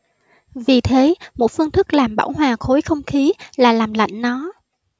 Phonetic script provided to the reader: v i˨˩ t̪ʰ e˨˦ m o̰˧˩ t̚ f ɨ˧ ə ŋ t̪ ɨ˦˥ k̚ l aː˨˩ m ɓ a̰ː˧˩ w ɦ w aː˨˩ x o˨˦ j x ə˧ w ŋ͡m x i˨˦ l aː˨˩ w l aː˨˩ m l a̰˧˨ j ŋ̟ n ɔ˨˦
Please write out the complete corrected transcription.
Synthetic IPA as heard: v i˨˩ t̪ʰ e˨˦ m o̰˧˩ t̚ f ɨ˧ ə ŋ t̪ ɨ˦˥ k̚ l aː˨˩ m ɓ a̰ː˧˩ w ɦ w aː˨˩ x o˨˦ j x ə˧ w ŋ͡m x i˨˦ l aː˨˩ l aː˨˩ m l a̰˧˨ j ŋ̟ n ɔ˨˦

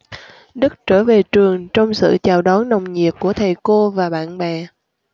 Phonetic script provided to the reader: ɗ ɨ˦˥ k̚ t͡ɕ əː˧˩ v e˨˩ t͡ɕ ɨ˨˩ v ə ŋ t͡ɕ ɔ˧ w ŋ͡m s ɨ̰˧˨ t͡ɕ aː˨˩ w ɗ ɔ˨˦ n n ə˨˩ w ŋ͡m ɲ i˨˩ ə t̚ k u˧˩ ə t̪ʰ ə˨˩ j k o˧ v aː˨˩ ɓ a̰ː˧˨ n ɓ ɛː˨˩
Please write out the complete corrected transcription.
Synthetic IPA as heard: ɗ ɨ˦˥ k̚ t͡ɕ əː˧˩ v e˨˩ t͡ɕ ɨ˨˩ ə ŋ t͡ɕ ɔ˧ w ŋ͡m s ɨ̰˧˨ t͡ɕ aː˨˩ w ɗ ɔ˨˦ n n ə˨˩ w ŋ͡m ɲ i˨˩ ə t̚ k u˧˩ ə t̪ʰ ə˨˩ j k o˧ v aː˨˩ ɓ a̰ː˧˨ n ɓ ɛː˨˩

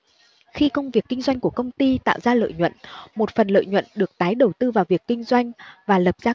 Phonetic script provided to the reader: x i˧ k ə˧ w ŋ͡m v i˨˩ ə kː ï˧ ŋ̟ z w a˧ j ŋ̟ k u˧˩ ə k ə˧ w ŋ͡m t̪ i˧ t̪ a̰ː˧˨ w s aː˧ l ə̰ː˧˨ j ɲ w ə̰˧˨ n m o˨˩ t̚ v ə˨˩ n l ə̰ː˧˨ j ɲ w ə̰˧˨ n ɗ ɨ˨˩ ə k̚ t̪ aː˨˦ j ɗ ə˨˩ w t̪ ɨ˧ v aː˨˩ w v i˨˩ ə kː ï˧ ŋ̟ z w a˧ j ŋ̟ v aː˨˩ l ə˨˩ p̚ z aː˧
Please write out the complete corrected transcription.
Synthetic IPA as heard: x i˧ k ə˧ w ŋ͡m v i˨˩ ə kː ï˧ ŋ̟ z w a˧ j ŋ̟ k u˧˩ ə k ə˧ w ŋ͡m t̪ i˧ t̪ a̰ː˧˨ w z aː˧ l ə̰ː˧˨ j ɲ w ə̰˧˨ n m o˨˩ t̚ f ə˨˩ n l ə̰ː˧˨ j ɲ w ə̰˧˨ n ɗ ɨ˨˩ ə k̚ t̪ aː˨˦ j ɗ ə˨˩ w t̪ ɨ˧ v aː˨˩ w v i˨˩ ə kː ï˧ ŋ̟ z w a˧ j ŋ̟ v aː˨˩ l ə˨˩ p̚ z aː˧

